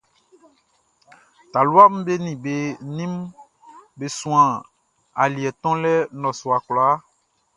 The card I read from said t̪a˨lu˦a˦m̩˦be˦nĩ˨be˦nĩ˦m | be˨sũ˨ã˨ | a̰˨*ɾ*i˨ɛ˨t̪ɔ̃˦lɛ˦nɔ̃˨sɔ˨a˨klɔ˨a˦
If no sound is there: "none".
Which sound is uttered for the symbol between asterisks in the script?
l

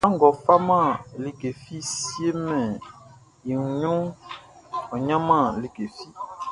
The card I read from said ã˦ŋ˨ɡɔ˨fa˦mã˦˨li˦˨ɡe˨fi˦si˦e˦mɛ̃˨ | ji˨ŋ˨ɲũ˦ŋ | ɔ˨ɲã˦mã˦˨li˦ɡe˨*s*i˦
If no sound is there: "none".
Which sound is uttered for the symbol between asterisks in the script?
f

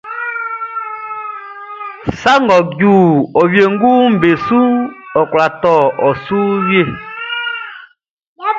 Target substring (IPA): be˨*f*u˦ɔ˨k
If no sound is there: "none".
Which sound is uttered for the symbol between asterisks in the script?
s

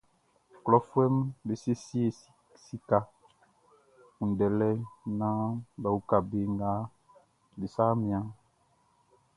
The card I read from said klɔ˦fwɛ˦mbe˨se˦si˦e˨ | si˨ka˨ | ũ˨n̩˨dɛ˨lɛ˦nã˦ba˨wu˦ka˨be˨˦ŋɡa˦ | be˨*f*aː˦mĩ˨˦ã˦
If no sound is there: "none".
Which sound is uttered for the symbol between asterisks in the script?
s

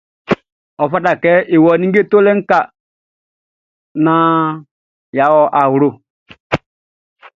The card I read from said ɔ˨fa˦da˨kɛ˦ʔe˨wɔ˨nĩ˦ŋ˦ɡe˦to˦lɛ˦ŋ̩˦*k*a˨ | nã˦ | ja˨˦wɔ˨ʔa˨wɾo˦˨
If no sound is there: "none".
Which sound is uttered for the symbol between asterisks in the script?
k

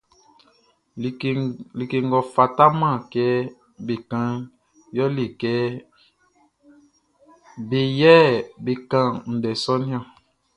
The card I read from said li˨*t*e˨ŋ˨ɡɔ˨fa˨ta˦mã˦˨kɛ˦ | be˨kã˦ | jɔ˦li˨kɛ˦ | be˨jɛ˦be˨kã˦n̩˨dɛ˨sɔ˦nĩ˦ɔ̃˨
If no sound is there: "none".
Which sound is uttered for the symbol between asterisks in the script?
k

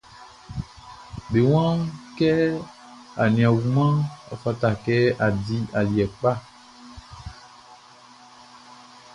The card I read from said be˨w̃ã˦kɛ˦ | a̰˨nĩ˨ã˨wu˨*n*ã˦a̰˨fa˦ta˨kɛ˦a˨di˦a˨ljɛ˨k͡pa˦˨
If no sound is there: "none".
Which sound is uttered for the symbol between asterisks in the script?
m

